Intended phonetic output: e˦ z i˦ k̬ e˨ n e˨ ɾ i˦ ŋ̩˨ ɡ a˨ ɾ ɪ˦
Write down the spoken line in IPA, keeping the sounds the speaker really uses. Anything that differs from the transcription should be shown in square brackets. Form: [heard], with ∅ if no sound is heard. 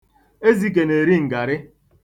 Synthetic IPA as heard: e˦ z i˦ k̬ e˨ n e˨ ɾ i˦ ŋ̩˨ ɡ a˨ ɾ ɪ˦